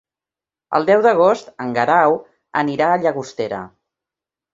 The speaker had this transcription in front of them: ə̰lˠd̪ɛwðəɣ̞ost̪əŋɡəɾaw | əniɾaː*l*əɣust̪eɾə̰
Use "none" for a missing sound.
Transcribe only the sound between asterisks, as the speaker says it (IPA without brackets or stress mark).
ʎ